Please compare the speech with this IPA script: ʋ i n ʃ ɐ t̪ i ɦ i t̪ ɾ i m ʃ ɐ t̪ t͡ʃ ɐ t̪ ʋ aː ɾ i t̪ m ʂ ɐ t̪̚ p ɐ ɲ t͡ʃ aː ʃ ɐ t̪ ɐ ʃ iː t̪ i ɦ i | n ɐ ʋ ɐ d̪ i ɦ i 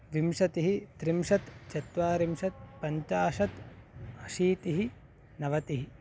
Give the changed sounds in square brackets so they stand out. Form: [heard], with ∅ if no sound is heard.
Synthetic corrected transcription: ʋ i [m] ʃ ɐ t̪ i ɦ i t̪ ɾ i m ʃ ɐ t̪ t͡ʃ ɐ t̪ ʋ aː ɾ i [∅] m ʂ ɐ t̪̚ p ɐ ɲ t͡ʃ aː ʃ ɐ t̪ ɐ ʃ iː t̪ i ɦ i | n ɐ ʋ ɐ [t̪] i ɦ i

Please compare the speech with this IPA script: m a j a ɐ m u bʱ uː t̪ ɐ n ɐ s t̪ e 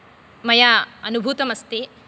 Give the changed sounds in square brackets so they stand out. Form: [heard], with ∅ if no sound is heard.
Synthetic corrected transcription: m [ɐ] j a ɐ [n] u bʱ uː t̪ ɐ [m] ɐ s t̪ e

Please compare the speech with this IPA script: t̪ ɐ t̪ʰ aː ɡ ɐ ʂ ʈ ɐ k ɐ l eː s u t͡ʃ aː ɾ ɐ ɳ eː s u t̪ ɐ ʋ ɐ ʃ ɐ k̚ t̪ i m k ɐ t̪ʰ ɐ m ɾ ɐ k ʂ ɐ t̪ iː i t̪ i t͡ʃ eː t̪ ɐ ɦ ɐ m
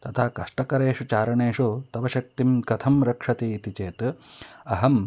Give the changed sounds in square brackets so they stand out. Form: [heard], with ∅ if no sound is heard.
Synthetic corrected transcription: t̪ ɐ t̪ʰ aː [k] ɐ ʂ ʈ ɐ k ɐ [ɾ] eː [ʂ] u t͡ʃ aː ɾ ɐ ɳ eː [ʂ] u t̪ ɐ ʋ ɐ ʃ ɐ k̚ t̪ i m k ɐ t̪ʰ ɐ m ɾ ɐ k ʂ ɐ t̪ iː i t̪ i t͡ʃ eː t̪ ɐ ɦ ɐ m

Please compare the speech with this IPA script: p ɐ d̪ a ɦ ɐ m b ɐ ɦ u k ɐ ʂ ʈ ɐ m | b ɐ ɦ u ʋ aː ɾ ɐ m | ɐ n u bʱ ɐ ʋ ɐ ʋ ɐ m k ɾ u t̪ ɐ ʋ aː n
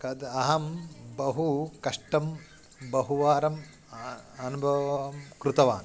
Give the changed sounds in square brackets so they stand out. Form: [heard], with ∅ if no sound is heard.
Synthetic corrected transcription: [k] ɐ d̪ [ɐ] ɦ ɐ m b ɐ ɦ u k ɐ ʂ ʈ ɐ m | b ɐ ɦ u ʋ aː ɾ ɐ m | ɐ n u bʱ ɐ ʋ ɐ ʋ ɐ m k ɾ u t̪ ɐ ʋ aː n

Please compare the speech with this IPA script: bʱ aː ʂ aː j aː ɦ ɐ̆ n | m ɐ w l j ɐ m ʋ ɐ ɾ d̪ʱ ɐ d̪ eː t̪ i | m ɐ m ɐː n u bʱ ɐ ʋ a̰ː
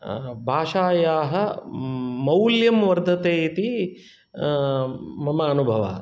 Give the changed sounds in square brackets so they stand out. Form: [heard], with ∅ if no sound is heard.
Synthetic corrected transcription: bʱ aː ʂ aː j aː ɦ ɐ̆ [∅] | m ɐ w l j ɐ m ʋ ɐ ɾ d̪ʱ ɐ [t̪] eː t̪ i | m ɐ m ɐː n u bʱ ɐ ʋ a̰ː

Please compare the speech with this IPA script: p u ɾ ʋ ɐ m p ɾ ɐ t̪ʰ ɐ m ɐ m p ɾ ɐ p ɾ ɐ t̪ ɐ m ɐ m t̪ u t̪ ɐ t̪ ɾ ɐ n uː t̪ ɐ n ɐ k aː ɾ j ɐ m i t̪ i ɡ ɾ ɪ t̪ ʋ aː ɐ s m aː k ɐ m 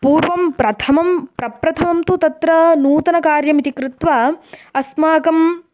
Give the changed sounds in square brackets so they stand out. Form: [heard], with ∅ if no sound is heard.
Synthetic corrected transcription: p [uː] ɾ ʋ ɐ m p ɾ ɐ t̪ʰ ɐ m ɐ m p ɾ ɐ p ɾ ɐ [t̪ʰ] ɐ m ɐ m t̪ u t̪ ɐ t̪ ɾ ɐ n uː t̪ ɐ n ɐ k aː ɾ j ɐ m i t̪ i [k] ɾ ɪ t̪ ʋ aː ɐ s m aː k ɐ m

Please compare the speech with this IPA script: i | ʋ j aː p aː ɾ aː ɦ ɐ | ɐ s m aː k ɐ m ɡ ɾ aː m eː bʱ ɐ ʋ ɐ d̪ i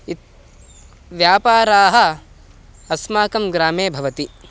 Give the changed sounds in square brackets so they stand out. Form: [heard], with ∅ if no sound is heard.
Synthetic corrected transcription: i | ʋ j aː p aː ɾ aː ɦ ɐ | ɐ s m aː k ɐ m ɡ ɾ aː m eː bʱ ɐ ʋ ɐ [t̪] i

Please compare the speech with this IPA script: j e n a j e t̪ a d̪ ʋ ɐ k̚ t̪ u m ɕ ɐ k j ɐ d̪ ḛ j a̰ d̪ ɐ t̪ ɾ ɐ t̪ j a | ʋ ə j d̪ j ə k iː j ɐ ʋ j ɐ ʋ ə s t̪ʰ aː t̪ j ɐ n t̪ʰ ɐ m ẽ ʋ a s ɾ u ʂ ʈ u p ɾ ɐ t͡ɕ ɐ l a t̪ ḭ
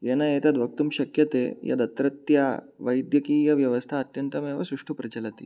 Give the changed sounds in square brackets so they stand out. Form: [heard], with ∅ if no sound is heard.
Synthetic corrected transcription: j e n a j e t̪ a d̪ ʋ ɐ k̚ t̪ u m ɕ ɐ k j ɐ [t̪] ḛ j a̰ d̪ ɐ t̪ ɾ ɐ t̪ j a | ʋ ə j d̪ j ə k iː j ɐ ʋ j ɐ ʋ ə s t̪ʰ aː t̪ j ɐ n [t̪] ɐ m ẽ ʋ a s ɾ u ʂ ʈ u p ɾ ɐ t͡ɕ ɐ l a t̪ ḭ

